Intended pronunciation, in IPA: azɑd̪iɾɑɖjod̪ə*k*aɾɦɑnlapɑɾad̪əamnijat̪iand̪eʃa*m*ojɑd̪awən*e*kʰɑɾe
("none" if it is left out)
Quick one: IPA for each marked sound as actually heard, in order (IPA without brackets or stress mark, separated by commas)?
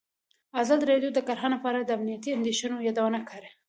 k, n, a